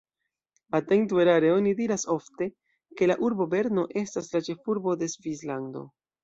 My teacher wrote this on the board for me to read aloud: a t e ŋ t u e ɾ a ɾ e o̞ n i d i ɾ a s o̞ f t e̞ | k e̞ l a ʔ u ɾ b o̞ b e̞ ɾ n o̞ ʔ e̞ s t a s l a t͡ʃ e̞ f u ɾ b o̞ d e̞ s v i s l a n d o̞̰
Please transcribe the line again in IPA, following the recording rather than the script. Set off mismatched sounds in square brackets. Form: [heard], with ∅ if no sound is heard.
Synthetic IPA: a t e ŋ t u e ɾ a ɾ e o̞ n i d i ɾ a s o̞ f t e̞ | k e̞ l a ʔ u ɾ b o̞ b e̞ ɾ n o̞ ʔ e̞ s t a s l a t͡ʃ e̞ f u ɾ b o̞ d e̞ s v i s l a n d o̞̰